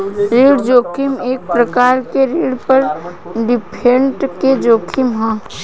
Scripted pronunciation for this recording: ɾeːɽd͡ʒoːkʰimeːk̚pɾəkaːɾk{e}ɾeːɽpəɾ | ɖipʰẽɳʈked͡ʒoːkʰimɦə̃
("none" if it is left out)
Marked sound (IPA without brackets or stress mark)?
e